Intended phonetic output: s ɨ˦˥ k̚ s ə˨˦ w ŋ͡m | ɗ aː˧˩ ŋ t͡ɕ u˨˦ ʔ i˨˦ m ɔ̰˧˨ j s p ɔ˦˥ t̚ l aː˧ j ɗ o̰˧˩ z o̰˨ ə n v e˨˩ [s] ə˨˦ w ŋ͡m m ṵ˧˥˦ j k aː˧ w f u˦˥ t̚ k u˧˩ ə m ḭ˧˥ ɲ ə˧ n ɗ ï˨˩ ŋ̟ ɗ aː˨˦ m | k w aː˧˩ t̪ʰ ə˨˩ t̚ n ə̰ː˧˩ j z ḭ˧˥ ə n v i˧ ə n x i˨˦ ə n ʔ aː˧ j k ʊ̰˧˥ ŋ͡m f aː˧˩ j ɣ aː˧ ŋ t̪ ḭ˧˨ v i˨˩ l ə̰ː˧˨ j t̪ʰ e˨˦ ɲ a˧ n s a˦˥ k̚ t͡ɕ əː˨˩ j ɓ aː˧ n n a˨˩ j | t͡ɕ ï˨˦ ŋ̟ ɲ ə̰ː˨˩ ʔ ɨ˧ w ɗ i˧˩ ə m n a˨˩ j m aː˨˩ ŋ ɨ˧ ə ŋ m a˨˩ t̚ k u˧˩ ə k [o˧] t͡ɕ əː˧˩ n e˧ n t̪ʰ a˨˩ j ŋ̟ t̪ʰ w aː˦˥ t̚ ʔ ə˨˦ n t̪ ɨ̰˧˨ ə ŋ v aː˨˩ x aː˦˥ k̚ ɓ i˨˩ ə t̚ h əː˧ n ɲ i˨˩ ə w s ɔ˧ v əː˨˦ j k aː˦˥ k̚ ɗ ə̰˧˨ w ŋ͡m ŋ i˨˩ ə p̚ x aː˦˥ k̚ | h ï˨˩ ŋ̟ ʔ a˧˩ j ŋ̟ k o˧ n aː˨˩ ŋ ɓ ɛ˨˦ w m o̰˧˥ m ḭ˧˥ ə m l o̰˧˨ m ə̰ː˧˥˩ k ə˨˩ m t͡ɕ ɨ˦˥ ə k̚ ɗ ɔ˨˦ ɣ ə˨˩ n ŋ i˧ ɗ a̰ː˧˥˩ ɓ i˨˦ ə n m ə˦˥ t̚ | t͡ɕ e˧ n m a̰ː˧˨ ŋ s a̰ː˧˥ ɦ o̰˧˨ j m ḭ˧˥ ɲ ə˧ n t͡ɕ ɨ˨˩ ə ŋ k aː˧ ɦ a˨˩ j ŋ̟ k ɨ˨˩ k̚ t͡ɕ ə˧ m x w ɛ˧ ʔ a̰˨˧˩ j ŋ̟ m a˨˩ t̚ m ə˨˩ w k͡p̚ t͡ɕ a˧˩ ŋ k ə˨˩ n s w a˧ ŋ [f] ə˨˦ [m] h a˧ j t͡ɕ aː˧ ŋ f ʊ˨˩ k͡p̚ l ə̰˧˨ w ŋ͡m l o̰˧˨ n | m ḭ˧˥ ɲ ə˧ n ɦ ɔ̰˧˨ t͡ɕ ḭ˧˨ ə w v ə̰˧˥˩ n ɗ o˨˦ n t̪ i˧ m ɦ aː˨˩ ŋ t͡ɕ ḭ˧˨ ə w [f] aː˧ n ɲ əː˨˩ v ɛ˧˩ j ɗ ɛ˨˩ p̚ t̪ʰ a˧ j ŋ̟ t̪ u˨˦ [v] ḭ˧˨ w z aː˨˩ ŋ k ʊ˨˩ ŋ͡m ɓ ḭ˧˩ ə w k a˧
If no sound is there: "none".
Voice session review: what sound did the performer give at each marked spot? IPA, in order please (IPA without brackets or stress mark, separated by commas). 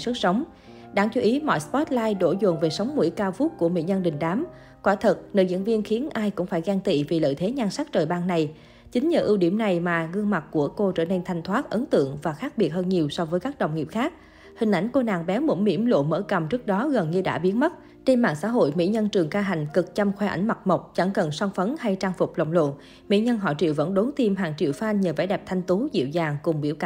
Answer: s, o˧, f, n, f, z